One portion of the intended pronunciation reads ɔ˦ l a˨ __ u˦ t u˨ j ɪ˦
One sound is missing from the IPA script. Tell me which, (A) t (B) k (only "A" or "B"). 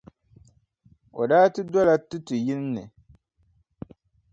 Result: A